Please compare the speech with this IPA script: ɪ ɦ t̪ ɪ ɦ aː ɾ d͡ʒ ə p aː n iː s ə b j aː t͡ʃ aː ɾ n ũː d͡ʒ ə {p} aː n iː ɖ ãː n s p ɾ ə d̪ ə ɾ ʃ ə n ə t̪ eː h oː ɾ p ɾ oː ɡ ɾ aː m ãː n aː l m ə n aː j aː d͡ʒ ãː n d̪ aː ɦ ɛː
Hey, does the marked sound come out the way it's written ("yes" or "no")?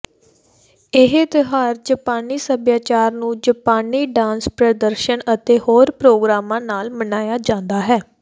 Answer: yes